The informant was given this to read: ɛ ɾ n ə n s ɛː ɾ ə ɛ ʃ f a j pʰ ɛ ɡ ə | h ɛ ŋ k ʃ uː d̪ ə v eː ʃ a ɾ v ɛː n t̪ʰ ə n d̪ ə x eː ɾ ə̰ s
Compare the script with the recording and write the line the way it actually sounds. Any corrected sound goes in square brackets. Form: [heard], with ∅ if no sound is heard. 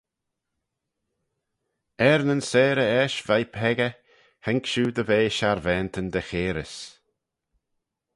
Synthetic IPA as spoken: ɛ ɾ n ə n s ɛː ɾ ə ɛ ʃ [v] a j pʰ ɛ ɡ ə | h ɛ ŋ k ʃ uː d̪ ə v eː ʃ a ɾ v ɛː n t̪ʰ ə n d̪ ə x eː ɾ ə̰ s